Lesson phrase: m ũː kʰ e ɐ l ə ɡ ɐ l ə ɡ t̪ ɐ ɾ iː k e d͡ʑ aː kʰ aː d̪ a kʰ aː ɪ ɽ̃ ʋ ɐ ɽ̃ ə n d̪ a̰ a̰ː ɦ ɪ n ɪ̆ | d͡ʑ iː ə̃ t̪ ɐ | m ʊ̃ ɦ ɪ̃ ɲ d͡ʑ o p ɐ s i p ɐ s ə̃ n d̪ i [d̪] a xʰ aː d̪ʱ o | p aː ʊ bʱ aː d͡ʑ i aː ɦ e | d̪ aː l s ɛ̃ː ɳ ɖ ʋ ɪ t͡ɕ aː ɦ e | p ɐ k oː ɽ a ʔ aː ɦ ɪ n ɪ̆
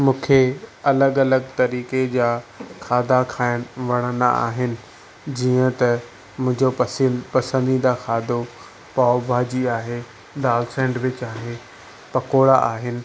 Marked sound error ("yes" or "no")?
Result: no